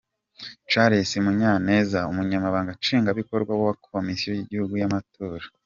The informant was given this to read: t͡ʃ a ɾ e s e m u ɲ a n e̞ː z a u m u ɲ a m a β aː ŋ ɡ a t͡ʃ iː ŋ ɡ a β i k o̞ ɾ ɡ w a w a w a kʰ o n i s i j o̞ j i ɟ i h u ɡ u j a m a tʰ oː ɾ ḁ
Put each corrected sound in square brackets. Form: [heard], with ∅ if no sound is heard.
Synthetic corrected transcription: t͡ʃ a ɾ e s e m u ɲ a n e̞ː z a u m u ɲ a m a β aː ŋ ɡ a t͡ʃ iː ŋ ɡ a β i k o̞ ɾ ɡ w a w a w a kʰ o [m] i s i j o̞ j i ɟ i h u ɡ u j a m a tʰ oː ɾ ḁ